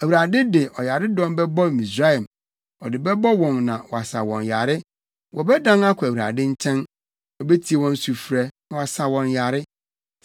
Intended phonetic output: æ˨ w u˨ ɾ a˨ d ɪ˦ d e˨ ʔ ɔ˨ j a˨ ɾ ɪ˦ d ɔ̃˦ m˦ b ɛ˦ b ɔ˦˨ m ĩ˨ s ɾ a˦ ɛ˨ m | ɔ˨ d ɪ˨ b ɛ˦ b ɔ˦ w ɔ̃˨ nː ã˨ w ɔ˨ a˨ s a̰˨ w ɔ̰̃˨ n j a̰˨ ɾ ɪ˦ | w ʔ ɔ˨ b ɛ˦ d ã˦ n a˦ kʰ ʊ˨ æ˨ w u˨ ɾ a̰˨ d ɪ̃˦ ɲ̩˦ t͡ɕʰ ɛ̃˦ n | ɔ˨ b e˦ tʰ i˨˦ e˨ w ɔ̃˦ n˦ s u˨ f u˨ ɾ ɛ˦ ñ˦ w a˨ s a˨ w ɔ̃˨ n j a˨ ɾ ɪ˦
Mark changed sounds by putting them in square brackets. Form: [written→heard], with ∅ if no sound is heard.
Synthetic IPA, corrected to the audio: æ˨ w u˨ ɾ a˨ d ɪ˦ d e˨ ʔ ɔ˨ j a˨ ɾ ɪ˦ d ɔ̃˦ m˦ b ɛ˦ b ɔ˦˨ m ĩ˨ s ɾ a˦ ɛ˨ m | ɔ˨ d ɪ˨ b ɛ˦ b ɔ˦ w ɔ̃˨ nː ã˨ w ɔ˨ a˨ s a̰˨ w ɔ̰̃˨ n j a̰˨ ɾ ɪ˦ | w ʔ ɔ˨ b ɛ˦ d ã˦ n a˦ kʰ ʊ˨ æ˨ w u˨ ɾ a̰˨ d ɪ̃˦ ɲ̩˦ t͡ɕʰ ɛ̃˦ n | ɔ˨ b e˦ tʰ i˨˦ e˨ w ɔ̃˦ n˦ s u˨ f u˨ ɾ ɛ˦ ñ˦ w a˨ s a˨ w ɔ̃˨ n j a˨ ɾ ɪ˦